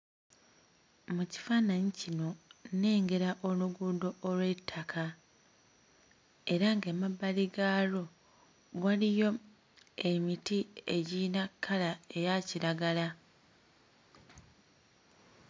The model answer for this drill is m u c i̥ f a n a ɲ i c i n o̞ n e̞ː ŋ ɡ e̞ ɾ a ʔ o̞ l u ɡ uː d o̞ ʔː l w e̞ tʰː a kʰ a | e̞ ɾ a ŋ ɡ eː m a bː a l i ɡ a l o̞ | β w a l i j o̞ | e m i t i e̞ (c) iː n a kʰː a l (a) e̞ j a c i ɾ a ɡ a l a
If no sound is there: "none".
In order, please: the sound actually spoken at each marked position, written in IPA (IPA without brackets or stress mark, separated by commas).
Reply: ɟ, a